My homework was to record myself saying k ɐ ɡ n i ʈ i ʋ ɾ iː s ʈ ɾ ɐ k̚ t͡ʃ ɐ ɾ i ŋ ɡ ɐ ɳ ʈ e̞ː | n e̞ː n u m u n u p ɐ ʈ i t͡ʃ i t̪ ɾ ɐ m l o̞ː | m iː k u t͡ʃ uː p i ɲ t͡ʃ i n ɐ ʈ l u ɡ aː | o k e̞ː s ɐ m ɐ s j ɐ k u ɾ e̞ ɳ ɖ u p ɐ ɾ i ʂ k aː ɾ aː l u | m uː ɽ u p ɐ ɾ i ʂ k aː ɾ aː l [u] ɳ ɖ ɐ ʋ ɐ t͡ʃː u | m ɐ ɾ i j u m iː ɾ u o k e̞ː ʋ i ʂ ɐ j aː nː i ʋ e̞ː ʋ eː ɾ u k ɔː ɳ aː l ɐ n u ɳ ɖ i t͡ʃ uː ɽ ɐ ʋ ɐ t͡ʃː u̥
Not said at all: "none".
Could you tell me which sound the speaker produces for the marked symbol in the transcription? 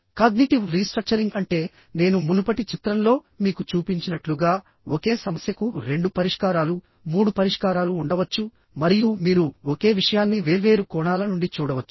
uː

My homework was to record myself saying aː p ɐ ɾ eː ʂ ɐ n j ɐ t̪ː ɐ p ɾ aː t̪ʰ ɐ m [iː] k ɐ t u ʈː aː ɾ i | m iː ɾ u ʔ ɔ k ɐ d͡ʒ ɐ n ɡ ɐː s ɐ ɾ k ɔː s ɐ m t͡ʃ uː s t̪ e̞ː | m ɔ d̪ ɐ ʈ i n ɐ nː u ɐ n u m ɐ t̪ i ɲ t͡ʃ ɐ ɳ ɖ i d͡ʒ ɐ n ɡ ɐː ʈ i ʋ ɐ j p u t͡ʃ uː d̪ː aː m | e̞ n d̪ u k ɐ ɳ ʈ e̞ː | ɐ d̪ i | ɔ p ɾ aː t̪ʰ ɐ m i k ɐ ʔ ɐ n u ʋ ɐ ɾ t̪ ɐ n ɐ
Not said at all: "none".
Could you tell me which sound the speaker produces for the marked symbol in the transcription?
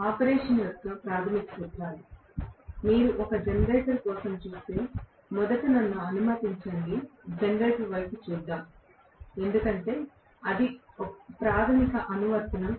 i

